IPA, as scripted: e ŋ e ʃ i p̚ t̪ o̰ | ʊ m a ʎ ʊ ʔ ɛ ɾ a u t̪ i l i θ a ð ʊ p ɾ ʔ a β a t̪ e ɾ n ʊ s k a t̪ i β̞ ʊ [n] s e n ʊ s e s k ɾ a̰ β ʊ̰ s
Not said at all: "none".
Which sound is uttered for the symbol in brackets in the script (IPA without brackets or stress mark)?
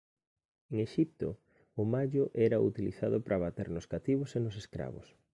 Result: none